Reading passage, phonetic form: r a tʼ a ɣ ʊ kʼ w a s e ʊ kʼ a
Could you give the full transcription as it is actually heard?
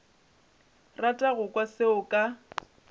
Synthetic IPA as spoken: r a tʼ a ɣ ʊ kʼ w a s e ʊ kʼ a